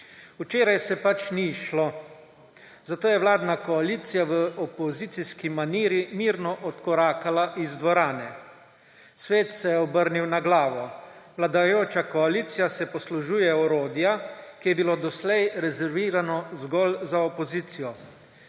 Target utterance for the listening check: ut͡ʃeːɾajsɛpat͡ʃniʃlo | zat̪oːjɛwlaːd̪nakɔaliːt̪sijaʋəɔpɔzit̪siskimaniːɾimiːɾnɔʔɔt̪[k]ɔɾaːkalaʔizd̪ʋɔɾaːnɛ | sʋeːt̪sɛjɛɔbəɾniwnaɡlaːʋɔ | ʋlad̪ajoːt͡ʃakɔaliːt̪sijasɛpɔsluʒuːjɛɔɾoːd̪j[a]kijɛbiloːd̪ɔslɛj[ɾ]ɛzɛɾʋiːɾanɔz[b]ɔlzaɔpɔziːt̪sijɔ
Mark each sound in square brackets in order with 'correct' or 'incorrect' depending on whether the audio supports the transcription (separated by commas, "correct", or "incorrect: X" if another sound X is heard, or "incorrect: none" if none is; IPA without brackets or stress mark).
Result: correct, correct, correct, incorrect: ɡ